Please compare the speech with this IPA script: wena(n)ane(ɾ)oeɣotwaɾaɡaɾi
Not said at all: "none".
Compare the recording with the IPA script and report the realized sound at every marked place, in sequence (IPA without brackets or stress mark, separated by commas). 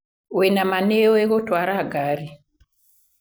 m, none